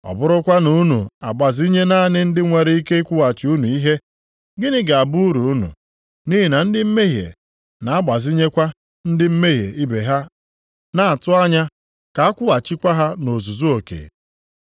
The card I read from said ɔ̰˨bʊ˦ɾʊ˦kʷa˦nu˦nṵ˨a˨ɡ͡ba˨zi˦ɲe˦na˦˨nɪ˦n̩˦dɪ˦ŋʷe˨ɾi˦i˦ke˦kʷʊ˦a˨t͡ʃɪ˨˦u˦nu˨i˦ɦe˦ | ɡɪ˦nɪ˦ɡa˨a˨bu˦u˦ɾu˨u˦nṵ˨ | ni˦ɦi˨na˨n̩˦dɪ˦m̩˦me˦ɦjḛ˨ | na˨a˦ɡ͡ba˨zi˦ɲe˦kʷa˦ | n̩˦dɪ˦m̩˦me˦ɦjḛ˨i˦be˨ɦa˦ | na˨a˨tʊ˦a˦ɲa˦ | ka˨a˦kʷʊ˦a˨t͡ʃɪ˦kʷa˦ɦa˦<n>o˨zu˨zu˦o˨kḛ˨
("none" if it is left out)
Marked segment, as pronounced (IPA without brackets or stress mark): n